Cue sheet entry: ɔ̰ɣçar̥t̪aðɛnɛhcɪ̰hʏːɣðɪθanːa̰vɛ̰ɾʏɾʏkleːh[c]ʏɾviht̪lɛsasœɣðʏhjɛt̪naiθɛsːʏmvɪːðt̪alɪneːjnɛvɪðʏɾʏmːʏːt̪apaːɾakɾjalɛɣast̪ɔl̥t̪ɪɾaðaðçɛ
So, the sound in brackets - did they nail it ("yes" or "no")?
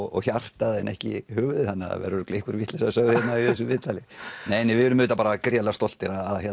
no